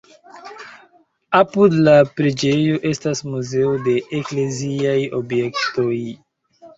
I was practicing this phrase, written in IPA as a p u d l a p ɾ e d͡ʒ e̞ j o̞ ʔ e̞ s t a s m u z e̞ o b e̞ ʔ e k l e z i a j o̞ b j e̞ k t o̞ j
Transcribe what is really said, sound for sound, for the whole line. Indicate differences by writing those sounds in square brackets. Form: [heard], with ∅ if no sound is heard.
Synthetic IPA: a p u d l a p ɾ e d͡ʒ e̞ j o̞ ʔ e̞ s t a s m u z e̞ o [d] e̞ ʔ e k l e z i a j o̞ b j e̞ k t o̞ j